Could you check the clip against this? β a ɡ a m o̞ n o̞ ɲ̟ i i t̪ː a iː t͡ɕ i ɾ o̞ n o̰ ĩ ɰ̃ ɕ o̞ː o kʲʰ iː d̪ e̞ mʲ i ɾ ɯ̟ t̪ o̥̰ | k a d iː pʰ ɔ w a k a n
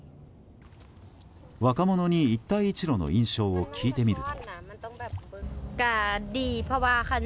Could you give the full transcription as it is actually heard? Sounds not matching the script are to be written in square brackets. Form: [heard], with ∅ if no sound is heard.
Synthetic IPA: β a [k] a m o̞ n o̞ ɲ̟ i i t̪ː a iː t͡ɕ i ɾ o̞ n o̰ ĩ ɰ̃ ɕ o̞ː o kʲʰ iː [t̪] e̞ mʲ i ɾ ɯ̟ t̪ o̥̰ | k a d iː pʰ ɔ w a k a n

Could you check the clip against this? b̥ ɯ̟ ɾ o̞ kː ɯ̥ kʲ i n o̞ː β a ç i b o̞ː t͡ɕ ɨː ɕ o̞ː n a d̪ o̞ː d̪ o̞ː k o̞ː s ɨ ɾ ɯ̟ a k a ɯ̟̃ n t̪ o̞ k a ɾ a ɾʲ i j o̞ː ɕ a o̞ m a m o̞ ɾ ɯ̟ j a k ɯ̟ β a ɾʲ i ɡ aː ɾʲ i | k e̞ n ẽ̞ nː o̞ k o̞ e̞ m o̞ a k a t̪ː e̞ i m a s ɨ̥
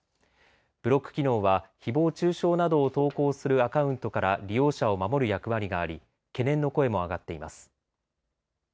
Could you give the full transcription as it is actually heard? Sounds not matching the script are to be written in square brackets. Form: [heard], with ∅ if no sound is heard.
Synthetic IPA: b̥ ɯ̟ ɾ o̞ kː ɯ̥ kʲ i n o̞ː β a ç i b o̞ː t͡ɕ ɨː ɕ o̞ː n a d̪ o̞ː [t̪] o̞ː k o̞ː s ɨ ɾ ɯ̟ a k a ɯ̟̃ n t̪ o̞ k a ɾ a ɾʲ i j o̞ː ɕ a o̞ m a m o̞ ɾ ɯ̟ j a k ɯ̟ β a ɾʲ i ɡ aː ɾʲ i | k e̞ n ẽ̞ nː o̞ k o̞ e̞ m o̞ a [ɡ] a t̪ː e̞ i m a s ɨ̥

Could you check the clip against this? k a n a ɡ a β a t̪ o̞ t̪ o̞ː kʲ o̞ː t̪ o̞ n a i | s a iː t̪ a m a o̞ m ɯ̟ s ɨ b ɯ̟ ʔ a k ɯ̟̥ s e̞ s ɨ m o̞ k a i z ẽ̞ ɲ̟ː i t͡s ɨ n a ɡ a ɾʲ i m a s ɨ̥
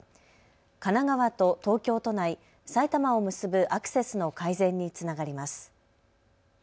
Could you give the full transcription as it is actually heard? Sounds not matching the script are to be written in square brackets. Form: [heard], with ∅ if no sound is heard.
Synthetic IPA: k a n a ɡ a β a t̪ o̞ t̪ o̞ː kʲ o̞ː t̪ o̞ n a i | s a [i] t̪ a m a o̞ m ɯ̟ s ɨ b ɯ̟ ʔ a k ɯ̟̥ s e̞ s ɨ [n] o̞ k a i z ẽ̞ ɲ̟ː i t͡s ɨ n a ɡ a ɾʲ i m a s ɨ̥

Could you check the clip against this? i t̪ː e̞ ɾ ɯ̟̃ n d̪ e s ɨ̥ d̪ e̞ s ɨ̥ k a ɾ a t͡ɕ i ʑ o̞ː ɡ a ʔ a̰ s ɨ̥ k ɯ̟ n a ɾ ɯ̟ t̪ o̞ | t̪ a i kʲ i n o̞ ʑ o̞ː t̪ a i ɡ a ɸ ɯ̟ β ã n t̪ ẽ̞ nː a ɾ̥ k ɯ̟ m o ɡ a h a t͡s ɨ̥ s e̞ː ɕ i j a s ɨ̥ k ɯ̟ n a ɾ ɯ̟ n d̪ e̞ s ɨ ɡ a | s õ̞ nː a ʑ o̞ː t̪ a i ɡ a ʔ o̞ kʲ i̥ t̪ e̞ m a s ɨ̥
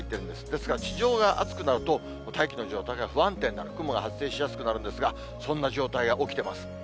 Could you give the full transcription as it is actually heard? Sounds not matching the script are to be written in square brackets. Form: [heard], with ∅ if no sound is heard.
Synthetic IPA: i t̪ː e̞ ɾ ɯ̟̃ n d̪ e s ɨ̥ d̪ e̞ s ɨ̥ k a ɾ a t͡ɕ i ʑ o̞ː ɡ a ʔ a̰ [t͡s] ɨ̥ k ɯ̟ n a ɾ ɯ̟ t̪ o̞ | t̪ a i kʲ i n o̞ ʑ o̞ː t̪ a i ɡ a ɸ ɯ̟ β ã n t̪ ẽ̞ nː a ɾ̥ k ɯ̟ m o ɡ a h a t͡s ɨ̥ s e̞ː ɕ i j a s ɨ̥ k ɯ̟ n a ɾ ɯ̟ n d̪ e̞ s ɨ ɡ a | s õ̞ nː a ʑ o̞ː t̪ a i ɡ a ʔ o̞ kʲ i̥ t̪ e̞ m a s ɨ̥

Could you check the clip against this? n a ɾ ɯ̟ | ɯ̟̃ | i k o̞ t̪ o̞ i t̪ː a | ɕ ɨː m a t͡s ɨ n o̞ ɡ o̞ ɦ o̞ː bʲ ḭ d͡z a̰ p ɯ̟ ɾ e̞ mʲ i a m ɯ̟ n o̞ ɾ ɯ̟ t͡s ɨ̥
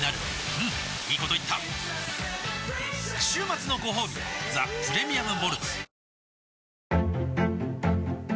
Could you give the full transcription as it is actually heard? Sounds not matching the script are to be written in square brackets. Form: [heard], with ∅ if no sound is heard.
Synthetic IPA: n a ɾ ɯ̟ | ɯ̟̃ | [iː] k o̞ t̪ o̞ i t̪ː a | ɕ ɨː m a t͡s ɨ n o̞ ɡ o̞ ɦ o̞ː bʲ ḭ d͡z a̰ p ɯ̟ ɾ e̞ mʲ i a m ɯ̟ [m] o̞ ɾ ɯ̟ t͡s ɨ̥

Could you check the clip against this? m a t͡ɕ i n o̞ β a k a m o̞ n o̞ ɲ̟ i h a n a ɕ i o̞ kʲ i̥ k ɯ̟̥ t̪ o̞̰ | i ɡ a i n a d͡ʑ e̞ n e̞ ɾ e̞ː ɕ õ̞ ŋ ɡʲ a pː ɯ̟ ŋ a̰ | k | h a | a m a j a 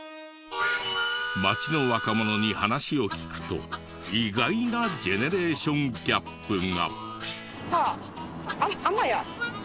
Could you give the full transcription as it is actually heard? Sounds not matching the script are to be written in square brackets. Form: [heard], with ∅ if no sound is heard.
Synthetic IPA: m a t͡ɕ i n o̞ β a k a m o̞ n o̞ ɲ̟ i h a n a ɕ i o̞ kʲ i̥ k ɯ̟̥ t̪ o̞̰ | i ɡ a i n a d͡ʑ e̞ n e̞ ɾ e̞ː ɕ õ̞ ŋ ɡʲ a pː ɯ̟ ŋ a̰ | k | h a | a m a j a

